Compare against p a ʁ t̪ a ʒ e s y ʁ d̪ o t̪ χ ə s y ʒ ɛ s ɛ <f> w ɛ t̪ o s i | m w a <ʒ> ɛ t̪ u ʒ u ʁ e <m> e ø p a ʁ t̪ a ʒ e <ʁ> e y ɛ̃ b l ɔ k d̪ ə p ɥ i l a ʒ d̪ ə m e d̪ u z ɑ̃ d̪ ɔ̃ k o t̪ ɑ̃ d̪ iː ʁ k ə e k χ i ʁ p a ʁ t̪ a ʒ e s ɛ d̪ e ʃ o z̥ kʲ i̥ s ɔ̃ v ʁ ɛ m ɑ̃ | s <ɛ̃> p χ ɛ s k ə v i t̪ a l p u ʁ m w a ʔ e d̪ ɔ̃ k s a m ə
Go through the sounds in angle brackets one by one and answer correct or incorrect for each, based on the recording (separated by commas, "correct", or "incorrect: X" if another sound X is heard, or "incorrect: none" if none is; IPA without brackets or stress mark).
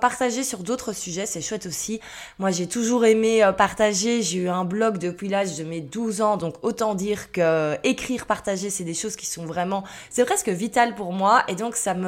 incorrect: ʃ, correct, correct, incorrect: ʒ, incorrect: ɛ